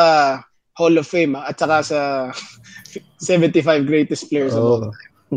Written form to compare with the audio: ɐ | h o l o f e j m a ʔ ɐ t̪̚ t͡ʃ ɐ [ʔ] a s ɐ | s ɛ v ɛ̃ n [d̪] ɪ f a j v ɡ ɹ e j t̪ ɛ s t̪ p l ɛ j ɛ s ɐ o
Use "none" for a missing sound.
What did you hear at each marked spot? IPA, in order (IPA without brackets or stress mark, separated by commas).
k, t̪